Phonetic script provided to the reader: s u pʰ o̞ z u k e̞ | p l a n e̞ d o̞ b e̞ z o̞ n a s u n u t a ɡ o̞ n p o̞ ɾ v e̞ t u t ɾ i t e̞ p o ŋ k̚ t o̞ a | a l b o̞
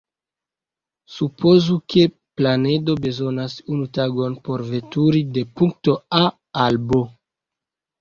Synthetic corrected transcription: s u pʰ o̞ z u k e̞ | p l a n e̞ d o̞ b e̞ z o̞ n a s u n u t a ɡ o̞ n p o̞ ɾ v e̞ t u ɾ i d e̞ p u ŋ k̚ t o̞ a | a l b o̞